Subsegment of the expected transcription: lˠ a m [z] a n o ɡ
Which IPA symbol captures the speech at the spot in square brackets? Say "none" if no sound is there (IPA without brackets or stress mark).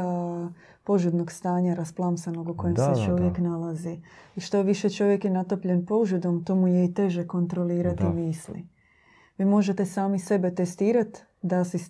s